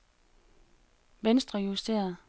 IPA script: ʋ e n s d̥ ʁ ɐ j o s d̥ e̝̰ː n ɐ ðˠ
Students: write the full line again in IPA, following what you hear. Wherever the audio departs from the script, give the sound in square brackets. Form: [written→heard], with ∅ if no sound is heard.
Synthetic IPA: ʋ e n s d̥ ʁ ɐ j [o→u] s d̥ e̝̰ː [n→∅] ɐ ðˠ